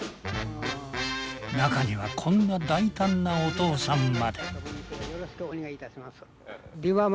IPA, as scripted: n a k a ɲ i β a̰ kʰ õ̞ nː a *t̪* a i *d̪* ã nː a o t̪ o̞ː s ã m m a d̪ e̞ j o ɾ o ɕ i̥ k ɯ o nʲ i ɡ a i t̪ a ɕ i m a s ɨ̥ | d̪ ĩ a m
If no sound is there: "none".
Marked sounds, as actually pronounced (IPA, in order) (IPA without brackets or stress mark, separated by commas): d̪, t̪